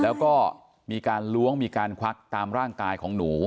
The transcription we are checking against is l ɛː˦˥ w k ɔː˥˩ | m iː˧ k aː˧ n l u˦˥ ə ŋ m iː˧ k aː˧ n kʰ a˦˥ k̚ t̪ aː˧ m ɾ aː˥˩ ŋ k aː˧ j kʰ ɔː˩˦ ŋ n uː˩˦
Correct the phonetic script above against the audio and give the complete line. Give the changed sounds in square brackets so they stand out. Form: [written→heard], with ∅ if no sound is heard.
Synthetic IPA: l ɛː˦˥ w k ɔː˥˩ | m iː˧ k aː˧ n l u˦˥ ə ŋ m iː˧ k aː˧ n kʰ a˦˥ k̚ t̪ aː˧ m ɾ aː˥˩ ŋ k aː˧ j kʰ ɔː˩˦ ŋ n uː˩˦